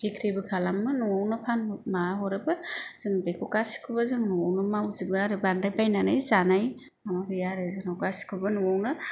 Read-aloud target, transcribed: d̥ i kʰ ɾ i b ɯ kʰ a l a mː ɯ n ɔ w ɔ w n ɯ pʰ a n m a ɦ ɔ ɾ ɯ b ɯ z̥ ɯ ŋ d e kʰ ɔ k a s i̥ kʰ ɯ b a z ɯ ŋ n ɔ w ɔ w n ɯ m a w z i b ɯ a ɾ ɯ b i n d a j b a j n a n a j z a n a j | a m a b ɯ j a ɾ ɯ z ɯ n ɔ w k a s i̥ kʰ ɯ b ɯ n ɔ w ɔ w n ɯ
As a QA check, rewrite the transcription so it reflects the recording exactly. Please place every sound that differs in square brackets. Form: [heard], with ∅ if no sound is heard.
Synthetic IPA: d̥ i kʰ ɾ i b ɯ kʰ a l a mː ɯ n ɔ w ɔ w n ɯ pʰ a n m a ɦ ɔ ɾ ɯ b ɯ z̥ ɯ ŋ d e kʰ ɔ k a s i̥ kʰ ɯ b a z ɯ ŋ n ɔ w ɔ w n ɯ m a w z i b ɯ a ɾ ɯ b [a] n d a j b a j n a n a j z a n a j | a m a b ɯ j a ɾ ɯ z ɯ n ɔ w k a s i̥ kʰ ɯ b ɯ n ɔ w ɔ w n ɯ